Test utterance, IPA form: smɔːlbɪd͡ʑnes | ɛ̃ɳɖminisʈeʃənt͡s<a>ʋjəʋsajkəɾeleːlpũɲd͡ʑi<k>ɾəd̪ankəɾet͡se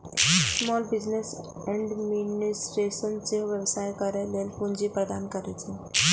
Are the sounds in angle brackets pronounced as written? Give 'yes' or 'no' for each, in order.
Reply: no, no

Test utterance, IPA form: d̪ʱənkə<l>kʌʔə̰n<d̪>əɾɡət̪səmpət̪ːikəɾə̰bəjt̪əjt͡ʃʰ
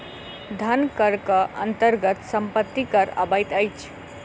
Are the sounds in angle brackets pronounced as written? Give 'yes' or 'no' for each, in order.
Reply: no, no

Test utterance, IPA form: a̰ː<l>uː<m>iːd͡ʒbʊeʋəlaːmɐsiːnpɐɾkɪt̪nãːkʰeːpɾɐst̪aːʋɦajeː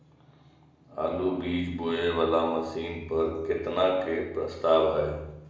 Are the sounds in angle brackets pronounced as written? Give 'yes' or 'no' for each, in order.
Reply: yes, no

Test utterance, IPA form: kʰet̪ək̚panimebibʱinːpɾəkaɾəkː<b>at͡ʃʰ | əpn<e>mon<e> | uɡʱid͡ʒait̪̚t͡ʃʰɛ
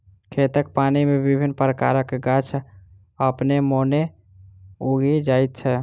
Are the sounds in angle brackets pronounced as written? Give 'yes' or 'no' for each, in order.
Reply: no, yes, yes

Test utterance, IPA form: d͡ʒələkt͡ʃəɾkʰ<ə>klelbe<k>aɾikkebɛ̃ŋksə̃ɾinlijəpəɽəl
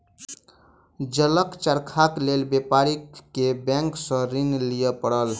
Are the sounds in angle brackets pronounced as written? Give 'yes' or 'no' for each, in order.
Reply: no, no

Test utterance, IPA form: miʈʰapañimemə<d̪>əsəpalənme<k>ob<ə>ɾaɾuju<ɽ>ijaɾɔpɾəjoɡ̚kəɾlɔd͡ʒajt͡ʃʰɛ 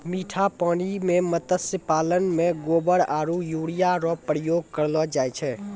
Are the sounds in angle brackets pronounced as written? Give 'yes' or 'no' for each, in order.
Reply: no, no, yes, yes

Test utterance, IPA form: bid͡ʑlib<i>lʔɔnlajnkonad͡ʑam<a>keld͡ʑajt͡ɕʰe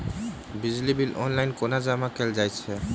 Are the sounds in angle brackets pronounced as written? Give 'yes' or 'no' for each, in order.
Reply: yes, yes

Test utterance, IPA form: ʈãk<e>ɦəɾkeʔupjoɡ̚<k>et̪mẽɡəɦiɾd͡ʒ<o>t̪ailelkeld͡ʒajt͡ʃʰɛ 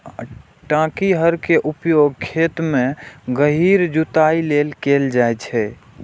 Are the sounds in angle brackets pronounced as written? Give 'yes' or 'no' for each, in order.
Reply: no, no, no

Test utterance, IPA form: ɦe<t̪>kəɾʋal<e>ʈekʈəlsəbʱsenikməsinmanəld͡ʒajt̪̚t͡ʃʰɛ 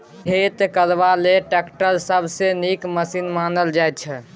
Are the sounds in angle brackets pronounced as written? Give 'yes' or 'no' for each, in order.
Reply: yes, yes

